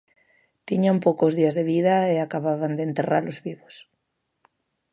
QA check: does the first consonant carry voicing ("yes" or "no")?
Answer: no